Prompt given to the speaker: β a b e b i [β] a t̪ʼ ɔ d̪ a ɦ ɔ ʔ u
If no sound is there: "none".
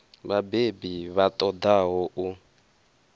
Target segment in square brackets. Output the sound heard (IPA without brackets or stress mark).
β